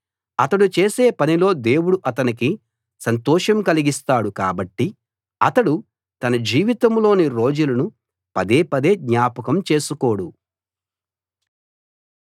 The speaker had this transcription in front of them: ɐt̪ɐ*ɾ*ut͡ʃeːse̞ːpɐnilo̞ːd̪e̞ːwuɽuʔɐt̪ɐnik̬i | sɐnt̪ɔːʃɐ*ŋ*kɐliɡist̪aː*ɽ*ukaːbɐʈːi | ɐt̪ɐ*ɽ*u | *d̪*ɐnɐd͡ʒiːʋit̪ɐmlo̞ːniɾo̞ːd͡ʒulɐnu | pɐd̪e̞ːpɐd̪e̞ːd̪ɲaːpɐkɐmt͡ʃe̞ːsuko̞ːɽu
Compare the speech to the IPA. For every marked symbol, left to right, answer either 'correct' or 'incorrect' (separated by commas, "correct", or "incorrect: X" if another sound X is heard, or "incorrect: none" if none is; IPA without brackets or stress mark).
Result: incorrect: ɽ, incorrect: m, correct, correct, incorrect: t̪